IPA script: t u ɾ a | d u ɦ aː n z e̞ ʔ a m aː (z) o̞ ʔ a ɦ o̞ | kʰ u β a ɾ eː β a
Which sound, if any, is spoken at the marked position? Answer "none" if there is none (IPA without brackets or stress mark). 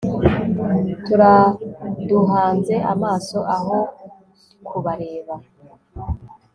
s